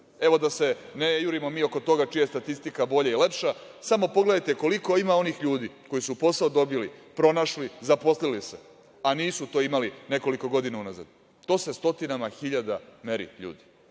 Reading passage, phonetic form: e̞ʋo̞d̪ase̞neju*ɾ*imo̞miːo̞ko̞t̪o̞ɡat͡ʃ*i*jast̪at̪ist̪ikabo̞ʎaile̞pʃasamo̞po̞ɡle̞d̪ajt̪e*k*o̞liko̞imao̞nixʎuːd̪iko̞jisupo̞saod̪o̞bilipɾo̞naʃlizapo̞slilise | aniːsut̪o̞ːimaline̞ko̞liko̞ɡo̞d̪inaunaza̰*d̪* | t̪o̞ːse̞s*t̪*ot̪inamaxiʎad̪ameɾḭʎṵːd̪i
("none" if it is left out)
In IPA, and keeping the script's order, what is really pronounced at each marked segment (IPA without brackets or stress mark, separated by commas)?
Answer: ɾ, i, k, d̪, t̪